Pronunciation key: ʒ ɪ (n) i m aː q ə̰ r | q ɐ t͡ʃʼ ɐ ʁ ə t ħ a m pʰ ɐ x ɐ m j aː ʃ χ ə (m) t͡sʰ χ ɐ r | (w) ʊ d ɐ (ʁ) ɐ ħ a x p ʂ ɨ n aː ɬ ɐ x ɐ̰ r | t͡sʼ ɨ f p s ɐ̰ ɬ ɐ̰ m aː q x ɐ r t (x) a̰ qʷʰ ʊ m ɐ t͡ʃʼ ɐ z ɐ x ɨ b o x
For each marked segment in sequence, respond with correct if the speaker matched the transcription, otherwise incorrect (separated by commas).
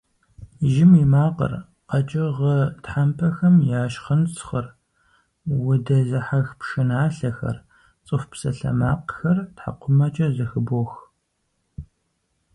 incorrect, incorrect, correct, incorrect, incorrect